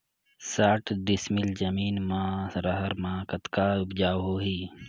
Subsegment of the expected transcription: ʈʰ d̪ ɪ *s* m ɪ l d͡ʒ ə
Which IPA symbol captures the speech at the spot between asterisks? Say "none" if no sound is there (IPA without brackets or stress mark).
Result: s